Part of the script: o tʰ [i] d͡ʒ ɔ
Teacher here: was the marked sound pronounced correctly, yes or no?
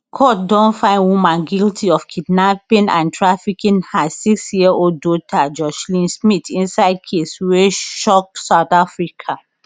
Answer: no